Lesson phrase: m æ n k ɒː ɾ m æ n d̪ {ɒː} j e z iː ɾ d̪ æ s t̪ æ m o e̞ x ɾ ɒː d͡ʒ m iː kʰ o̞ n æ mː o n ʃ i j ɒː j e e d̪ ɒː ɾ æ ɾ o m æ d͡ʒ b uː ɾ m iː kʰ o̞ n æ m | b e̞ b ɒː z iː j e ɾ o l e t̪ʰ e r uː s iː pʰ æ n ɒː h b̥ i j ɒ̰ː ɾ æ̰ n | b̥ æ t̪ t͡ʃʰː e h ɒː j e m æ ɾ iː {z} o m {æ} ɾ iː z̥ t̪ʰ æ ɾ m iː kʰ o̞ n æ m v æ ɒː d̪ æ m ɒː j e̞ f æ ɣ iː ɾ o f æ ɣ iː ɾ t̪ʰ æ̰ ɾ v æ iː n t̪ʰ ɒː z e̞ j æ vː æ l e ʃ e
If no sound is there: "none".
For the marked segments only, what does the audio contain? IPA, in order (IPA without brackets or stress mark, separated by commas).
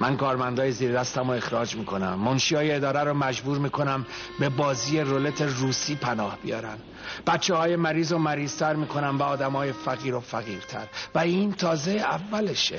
ɒː, z, æ